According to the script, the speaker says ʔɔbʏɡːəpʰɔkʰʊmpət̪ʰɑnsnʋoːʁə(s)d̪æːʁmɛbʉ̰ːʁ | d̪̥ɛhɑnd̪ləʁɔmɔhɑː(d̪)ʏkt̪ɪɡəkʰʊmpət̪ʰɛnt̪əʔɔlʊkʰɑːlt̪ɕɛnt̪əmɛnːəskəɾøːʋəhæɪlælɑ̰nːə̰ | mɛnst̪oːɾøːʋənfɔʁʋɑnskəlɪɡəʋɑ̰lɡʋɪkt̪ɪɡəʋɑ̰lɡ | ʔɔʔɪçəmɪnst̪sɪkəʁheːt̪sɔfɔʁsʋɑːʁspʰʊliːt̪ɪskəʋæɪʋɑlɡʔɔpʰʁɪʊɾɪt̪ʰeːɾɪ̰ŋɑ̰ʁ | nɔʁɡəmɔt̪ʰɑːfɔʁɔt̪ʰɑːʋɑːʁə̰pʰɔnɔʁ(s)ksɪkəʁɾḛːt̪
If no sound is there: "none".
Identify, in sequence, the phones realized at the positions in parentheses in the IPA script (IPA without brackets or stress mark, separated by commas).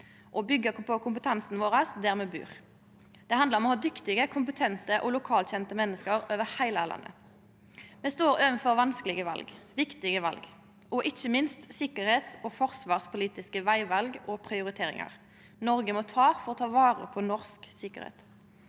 s, d̪, s